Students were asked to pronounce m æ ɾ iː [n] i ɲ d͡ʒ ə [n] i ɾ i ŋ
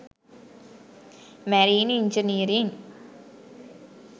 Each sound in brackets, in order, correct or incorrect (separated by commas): correct, correct